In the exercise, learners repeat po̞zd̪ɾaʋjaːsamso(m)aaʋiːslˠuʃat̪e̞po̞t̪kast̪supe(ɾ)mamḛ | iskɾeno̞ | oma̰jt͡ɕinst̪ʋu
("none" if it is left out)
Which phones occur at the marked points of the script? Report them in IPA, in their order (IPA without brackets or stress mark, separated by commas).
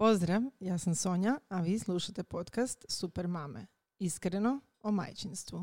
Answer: ɲ, ɾ